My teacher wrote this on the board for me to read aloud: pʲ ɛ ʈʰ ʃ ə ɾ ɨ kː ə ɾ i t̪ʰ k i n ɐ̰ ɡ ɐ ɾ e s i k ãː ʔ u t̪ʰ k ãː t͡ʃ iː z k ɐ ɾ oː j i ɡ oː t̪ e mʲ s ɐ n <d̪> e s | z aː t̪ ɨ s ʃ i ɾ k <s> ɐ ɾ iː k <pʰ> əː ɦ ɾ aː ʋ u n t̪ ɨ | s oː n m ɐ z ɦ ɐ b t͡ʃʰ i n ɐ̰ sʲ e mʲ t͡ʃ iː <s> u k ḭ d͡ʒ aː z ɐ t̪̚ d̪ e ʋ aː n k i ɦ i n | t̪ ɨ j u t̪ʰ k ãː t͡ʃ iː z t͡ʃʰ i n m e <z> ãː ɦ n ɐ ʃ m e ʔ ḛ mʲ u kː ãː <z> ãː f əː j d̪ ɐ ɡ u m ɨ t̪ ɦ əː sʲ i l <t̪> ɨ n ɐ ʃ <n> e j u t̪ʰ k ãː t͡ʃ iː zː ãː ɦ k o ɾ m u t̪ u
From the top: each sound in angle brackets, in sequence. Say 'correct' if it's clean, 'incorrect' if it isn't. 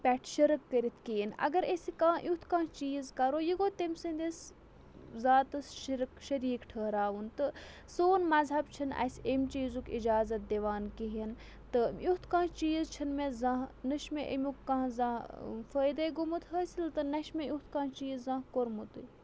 correct, incorrect: ʃ, incorrect: ʈʰ, incorrect: z, correct, correct, correct, incorrect: m

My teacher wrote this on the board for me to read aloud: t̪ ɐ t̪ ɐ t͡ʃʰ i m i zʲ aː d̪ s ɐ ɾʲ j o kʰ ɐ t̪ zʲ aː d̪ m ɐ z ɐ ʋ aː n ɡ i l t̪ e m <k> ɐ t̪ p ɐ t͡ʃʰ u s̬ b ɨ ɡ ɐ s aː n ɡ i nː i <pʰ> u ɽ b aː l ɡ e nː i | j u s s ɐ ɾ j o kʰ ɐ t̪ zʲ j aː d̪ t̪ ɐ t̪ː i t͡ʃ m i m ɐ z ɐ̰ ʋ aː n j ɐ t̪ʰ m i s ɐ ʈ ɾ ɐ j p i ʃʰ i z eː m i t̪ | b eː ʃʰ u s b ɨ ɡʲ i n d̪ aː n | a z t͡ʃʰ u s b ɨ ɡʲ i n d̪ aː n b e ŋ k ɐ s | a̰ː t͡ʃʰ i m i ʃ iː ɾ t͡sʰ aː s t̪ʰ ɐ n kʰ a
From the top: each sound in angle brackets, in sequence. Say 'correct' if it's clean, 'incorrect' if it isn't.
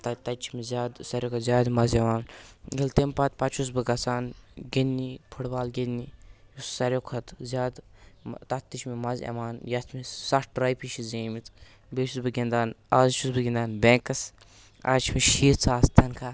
incorrect: p, correct

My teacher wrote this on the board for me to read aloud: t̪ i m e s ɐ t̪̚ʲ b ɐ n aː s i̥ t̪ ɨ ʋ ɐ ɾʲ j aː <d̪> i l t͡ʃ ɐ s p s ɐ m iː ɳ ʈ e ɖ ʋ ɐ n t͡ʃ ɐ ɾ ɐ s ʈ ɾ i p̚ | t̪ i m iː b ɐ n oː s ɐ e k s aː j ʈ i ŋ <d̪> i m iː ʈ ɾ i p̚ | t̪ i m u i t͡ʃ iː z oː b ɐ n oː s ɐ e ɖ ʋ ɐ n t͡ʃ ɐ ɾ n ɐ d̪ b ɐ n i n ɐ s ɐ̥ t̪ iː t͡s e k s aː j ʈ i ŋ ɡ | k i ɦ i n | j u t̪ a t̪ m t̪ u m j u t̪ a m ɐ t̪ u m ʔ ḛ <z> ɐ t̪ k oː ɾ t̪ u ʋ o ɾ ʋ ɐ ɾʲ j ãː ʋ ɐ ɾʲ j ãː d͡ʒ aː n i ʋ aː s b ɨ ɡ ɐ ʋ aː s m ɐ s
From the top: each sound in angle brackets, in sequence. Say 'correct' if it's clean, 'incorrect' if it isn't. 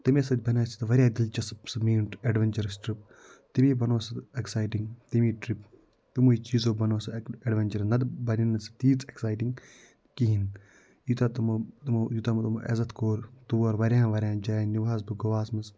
correct, incorrect: t̪, correct

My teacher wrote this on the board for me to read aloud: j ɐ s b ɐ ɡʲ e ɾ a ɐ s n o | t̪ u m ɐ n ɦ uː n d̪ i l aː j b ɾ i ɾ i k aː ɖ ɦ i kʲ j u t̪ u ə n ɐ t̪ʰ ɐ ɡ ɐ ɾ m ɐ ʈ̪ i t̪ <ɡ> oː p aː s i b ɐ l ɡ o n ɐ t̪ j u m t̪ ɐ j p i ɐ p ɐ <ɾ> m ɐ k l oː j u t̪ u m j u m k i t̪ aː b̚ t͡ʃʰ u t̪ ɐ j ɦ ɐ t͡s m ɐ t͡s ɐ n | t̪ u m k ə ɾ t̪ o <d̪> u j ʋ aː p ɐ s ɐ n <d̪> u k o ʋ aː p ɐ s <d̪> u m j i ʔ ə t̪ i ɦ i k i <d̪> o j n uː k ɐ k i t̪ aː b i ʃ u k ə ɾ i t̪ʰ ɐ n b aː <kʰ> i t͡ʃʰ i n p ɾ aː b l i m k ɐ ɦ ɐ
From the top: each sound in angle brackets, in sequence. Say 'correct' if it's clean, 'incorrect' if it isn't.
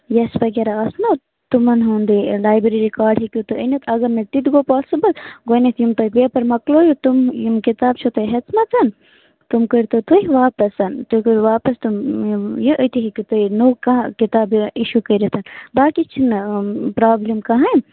correct, correct, incorrect: t̪, incorrect: t̪, incorrect: t̪, incorrect: t̪, incorrect: k

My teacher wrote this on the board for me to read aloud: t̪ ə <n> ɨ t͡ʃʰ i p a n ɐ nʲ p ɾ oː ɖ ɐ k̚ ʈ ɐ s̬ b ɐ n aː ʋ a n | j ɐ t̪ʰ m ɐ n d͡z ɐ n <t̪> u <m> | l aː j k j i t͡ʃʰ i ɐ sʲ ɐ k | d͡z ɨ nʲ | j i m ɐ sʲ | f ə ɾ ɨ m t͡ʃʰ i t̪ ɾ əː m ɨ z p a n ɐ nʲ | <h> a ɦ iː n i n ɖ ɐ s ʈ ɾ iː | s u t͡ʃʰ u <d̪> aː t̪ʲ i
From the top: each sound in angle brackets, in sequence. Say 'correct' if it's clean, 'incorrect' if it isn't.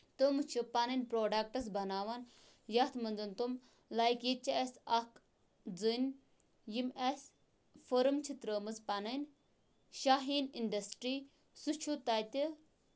incorrect: m, correct, correct, incorrect: ʃ, incorrect: t̪

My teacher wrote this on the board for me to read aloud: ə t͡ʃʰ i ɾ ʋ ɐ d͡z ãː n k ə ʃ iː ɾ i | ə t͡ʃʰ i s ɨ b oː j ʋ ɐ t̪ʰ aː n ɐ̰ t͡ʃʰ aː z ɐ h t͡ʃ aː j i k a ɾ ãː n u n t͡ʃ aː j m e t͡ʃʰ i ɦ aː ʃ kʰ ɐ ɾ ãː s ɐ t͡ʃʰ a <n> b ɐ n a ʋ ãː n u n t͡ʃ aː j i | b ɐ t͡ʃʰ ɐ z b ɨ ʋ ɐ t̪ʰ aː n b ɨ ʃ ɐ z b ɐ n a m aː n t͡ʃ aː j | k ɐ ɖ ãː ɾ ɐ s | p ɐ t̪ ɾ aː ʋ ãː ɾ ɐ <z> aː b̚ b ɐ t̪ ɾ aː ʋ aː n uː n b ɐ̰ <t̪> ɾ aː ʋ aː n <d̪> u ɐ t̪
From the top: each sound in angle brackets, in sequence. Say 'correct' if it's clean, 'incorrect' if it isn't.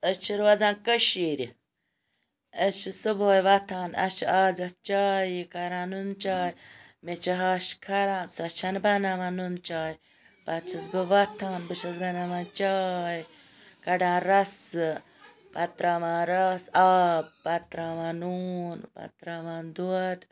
correct, incorrect: s, correct, correct

